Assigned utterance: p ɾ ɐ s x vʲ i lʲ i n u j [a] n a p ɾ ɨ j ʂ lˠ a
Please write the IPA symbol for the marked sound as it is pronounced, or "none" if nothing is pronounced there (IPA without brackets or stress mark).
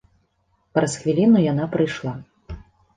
a